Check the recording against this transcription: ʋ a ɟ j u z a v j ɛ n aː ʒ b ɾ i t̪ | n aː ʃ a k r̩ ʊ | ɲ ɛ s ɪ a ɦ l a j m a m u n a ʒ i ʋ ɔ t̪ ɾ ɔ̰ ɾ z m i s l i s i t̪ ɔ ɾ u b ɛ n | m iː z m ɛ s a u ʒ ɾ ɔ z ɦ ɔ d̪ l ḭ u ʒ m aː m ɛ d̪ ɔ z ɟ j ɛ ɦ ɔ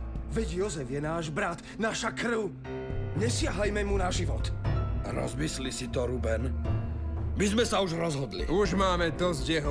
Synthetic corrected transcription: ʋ ɛ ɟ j ɔ z ɛ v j ɛ n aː ʒ b ɾ a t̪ | n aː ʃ a k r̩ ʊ | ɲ ɛ s ɪ a ɦ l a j m ɛ m u n a ʒ i ʋ ɔ t̪ ɾ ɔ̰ z m i s l i s i t̪ ɔ ɾ u b ɛ n | m i z m ɛ s a u ʒ ɾ ɔ z ɦ ɔ d̪ l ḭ u ʒ m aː m ɛ d̪ ɔ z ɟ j ɛ ɦ ɔ